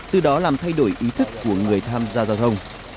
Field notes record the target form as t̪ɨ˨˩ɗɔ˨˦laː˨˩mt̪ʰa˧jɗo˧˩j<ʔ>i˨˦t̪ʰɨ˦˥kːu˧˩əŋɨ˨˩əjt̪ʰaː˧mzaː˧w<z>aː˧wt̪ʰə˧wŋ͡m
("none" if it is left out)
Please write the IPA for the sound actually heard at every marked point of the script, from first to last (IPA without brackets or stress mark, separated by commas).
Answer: ʔ, z